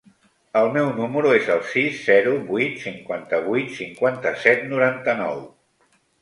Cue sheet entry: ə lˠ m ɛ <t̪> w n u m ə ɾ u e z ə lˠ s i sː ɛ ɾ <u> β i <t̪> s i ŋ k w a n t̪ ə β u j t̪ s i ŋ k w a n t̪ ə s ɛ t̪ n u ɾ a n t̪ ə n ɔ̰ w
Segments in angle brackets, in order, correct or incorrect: incorrect, correct, correct

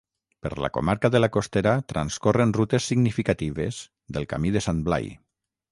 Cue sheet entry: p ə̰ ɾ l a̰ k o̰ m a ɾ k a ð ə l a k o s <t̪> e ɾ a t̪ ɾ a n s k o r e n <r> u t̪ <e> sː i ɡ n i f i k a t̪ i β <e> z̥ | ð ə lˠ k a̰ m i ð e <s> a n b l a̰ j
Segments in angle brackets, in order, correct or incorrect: correct, correct, correct, correct, correct

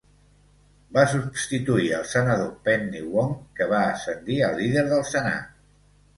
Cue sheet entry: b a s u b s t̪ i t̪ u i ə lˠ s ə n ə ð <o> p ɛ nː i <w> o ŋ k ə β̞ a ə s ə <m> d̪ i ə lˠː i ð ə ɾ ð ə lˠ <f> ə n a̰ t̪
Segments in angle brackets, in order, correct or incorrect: correct, correct, incorrect, incorrect

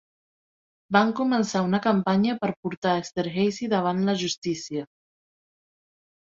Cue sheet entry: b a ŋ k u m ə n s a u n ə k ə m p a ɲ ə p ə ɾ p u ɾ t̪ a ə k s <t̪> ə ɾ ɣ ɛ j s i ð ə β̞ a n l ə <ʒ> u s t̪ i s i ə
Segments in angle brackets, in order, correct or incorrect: correct, correct

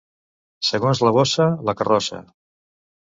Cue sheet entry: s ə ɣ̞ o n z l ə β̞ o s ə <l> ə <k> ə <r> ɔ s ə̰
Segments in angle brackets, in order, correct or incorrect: correct, correct, correct

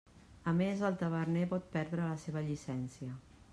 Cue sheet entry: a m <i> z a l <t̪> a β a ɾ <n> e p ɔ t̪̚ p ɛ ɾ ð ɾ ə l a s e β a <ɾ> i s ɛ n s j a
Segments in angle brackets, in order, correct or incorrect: incorrect, correct, correct, incorrect

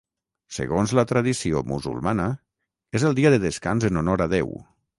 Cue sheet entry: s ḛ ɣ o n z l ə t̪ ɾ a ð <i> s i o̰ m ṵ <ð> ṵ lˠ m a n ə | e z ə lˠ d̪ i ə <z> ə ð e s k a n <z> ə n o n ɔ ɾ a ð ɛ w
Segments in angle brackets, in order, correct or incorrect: correct, incorrect, incorrect, correct

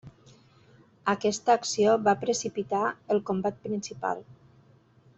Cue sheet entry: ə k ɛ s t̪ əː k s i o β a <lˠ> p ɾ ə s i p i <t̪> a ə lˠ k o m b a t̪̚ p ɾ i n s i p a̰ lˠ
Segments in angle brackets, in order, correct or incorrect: incorrect, correct

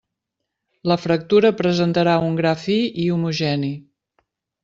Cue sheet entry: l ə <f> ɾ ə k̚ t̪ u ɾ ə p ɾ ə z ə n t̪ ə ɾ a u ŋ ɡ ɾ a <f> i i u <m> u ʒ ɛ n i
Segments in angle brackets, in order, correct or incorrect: correct, correct, correct

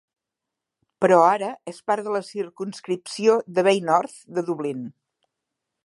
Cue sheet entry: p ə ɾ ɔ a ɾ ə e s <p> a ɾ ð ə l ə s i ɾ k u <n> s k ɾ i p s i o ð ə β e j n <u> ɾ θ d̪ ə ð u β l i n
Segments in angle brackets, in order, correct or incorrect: correct, correct, incorrect

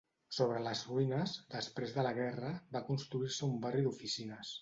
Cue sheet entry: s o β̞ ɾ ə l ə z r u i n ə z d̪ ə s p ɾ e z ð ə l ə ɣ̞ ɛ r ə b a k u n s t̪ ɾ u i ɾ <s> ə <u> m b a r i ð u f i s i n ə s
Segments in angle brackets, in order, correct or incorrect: correct, correct

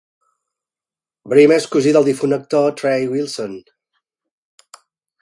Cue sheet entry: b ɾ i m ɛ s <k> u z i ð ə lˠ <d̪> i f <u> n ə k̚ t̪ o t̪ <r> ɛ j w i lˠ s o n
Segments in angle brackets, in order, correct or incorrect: correct, correct, correct, incorrect

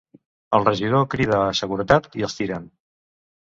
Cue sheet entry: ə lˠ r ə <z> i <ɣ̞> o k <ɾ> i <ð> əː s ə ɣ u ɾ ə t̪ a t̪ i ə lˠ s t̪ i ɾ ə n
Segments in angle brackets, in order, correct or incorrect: incorrect, incorrect, correct, correct

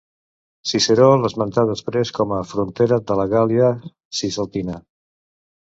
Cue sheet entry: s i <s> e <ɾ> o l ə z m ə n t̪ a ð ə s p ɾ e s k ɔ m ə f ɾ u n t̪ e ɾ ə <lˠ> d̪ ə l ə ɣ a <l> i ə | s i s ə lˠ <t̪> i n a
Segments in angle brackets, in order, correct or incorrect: correct, correct, incorrect, correct, correct

